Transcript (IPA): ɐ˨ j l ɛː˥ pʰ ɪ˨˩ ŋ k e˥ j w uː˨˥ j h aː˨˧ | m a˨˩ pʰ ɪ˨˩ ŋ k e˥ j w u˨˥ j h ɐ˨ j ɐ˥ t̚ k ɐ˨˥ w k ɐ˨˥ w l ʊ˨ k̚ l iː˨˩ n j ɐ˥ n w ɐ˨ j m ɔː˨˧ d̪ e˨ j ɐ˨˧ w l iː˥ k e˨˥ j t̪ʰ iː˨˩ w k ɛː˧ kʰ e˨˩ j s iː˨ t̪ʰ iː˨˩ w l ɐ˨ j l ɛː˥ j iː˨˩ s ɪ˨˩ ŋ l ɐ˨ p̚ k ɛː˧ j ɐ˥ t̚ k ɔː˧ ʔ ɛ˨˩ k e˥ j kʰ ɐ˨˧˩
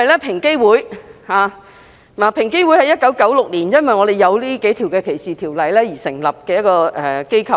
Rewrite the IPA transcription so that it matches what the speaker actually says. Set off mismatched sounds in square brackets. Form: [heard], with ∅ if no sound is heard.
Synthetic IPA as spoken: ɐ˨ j l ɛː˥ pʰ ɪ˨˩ ŋ k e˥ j w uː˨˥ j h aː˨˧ | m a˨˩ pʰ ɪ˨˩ ŋ k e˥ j w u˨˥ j h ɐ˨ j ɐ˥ t̚ k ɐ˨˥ w k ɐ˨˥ w l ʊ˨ k̚ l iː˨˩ n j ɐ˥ n w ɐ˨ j [ŋ] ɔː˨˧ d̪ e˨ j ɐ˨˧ w l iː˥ k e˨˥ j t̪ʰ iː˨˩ w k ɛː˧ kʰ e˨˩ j s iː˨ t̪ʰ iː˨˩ w l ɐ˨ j l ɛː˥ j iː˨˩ s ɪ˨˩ ŋ l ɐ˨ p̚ k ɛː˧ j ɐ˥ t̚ k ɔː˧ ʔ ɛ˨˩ k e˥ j kʰ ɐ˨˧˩